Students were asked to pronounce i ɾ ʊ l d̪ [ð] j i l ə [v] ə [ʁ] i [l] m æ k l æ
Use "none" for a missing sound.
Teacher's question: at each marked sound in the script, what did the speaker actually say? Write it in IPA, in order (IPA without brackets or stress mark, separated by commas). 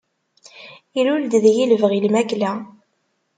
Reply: ð, v, ʁ, l